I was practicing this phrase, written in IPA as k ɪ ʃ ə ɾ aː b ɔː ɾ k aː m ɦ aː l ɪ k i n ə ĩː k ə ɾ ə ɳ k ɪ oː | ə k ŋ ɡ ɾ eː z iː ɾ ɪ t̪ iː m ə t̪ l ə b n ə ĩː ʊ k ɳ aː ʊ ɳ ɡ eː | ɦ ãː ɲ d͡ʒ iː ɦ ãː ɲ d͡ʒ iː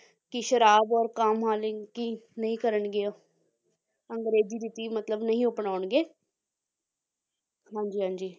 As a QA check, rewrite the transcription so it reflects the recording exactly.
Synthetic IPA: k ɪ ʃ ə ɾ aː b ɔː ɾ k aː m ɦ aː l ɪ k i n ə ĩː k ə ɾ ə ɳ ɡ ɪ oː | ə ŋ ɡ ɾ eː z iː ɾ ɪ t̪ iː m ə t̪ l ə b n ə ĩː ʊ p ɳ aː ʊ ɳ ɡ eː | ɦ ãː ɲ d͡ʒ iː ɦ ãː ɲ d͡ʒ iː

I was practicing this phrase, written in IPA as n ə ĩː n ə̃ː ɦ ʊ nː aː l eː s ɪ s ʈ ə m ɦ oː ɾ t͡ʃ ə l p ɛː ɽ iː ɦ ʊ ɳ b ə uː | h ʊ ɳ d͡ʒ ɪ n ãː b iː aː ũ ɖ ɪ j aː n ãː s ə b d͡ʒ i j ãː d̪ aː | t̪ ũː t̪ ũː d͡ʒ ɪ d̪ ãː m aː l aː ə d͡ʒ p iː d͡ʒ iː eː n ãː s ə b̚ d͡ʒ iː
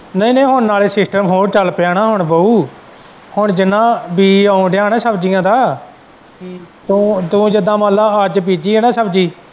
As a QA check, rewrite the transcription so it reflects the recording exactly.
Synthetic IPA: n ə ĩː n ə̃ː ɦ ʊ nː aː l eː s ɪ s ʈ ə m ɦ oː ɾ t͡ʃ ə l p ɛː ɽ aː ɦ ʊ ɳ b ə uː | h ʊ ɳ d͡ʒ ɪ n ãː b iː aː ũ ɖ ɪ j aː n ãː s ə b d͡ʒ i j ãː d̪ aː | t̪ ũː t̪ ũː d͡ʒ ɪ d̪ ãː m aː l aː ə d͡ʒ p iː d͡ʒ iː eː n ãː s ə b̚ d͡ʒ iː

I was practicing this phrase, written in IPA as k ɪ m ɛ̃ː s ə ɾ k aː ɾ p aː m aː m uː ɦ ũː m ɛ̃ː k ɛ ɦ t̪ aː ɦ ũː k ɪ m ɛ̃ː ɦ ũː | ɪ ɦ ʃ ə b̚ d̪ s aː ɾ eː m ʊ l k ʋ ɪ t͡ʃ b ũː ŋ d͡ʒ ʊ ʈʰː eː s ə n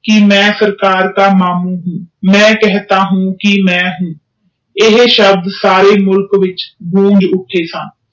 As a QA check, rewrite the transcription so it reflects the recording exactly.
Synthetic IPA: k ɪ m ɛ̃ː s ə ɾ k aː ɾ k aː m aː m uː ɦ ũː m ɛ̃ː k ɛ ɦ t̪ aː ɦ ũː k ɪ m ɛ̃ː ɦ ũː | ɪ ɦ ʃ ə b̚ d̪ s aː ɾ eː m ʊ l k ʋ ɪ t͡ʃ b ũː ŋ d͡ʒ ʊ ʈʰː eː s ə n

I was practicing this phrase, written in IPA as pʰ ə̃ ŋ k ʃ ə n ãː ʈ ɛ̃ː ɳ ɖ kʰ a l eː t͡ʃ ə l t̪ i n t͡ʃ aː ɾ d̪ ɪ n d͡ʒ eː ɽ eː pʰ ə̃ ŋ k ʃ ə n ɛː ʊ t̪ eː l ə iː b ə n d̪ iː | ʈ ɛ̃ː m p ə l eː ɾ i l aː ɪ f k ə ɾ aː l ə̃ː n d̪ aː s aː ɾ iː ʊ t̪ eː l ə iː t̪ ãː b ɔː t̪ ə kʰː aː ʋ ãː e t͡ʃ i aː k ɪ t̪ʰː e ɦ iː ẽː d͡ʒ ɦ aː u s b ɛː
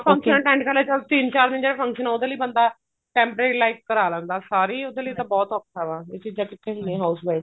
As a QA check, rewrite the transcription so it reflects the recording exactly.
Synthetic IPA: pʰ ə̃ ŋ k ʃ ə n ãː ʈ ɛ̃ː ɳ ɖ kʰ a l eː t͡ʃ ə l t̪ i n t͡ʃ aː ɾ d̪ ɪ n d͡ʒ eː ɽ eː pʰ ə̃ ŋ k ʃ ə n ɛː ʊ d̪ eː l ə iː b ə n d̪ aː | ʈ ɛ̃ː m p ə ɾ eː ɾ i l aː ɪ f k ə ɾ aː l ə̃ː n d̪ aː s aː ɾ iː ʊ d̪ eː l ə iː t̪ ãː b ɔː t̪ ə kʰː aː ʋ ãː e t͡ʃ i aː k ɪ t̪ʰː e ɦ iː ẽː ɦ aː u s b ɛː

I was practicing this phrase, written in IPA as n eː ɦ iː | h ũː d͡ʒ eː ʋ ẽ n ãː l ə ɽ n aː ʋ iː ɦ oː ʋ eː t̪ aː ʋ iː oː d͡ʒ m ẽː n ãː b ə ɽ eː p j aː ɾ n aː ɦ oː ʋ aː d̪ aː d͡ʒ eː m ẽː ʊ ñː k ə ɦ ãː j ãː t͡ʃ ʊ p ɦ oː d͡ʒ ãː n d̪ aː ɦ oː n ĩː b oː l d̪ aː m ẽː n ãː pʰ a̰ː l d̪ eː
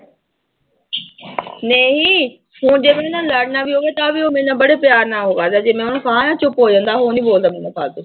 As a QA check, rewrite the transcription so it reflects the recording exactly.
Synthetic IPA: n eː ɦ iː | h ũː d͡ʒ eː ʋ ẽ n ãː l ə ɽ n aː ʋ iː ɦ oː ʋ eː t̪ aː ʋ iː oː m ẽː n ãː b ə ɽ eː p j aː ɾ n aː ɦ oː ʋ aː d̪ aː d͡ʒ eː m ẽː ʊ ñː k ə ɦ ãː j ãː t͡ʃ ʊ p ɦ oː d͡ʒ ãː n d̪ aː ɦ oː n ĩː b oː l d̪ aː m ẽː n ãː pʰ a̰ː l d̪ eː

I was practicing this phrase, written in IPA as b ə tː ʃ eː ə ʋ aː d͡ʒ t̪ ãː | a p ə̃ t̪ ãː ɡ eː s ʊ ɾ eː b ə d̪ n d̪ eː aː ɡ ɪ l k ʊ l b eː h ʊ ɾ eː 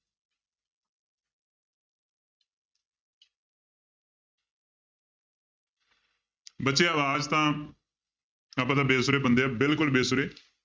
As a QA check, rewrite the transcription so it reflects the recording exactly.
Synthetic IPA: b ə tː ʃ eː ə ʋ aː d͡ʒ t̪ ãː | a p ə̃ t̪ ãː b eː s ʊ ɾ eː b ə n d̪ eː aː b ɪ l k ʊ l b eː s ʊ ɾ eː

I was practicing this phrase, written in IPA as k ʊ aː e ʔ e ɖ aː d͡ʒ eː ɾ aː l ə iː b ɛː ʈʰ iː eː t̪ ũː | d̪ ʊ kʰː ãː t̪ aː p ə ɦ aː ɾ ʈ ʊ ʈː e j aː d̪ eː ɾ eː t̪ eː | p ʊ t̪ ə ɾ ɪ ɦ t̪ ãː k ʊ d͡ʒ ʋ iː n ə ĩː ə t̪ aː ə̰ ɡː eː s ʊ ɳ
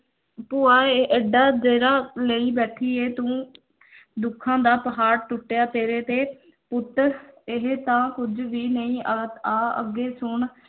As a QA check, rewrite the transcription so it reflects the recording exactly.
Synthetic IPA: p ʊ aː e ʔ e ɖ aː d͡ʒ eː ɾ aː l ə iː b ɛː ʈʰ iː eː t̪ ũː | d̪ ʊ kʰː ãː d̪ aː p ə ɦ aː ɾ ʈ ʊ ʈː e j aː t̪ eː ɾ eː t̪ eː | p ʊ t̪ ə ɾ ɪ ɦ t̪ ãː k ʊ d͡ʒ ʋ iː n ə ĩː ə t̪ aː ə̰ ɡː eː s ʊ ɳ

